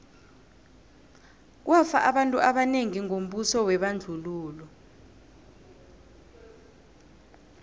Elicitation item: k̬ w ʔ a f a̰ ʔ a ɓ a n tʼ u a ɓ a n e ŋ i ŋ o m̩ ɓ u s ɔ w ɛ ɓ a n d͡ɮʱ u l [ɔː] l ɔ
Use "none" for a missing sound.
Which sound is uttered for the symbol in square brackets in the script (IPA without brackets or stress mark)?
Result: uː